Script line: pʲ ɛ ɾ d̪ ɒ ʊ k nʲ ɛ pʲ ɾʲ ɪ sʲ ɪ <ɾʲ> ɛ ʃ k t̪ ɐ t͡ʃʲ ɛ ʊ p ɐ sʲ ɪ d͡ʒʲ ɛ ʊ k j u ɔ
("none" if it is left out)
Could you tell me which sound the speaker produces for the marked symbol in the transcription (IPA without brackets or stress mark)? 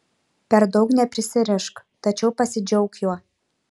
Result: ɾʲ